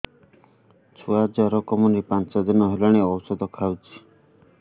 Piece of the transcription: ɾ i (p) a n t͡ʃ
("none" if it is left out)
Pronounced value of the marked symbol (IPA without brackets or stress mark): p